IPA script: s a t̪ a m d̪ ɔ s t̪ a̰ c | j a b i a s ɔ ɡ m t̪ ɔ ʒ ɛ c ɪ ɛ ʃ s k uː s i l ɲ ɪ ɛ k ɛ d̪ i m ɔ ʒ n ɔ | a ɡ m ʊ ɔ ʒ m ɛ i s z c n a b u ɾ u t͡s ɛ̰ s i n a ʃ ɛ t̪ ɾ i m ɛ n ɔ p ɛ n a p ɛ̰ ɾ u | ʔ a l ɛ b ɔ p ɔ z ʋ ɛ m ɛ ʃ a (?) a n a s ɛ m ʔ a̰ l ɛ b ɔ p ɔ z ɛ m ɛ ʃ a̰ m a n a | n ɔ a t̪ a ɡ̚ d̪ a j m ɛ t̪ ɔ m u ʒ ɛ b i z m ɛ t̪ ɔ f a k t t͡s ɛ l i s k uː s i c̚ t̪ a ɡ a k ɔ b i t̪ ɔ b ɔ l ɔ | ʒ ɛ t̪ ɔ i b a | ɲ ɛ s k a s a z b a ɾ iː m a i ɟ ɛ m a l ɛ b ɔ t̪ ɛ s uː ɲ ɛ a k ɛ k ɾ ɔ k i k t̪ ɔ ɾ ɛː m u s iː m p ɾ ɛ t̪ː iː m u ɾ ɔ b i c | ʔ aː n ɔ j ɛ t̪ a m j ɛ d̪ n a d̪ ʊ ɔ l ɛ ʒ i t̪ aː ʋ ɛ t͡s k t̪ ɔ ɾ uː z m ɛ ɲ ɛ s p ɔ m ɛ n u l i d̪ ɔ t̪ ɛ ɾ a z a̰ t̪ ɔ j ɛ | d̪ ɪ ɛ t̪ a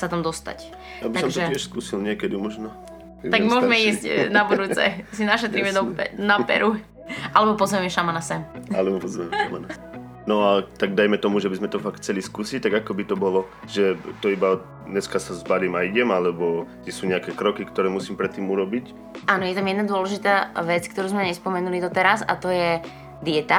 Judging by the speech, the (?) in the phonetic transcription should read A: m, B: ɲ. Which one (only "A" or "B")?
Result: A